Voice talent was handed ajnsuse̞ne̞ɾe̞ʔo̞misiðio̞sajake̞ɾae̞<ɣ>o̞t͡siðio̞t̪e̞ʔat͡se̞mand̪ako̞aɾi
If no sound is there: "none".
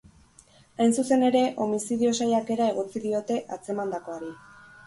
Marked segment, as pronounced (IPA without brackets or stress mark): ɣ